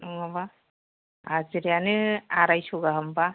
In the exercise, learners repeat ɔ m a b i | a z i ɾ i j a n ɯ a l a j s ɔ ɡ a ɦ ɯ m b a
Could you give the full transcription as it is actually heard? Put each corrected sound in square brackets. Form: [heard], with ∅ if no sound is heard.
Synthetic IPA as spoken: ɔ [ŋ] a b [a] | a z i ɾ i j a n ɯ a [ɾ] a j s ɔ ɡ a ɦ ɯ m b a